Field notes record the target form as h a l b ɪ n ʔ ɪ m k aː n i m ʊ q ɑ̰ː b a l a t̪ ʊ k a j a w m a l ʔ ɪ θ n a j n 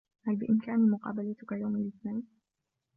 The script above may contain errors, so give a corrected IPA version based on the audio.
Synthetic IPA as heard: h a l b ɪ ʔ ɪ m k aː n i m ʊ q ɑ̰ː b a l a t̪ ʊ k a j a w m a l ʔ ɪ θ n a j n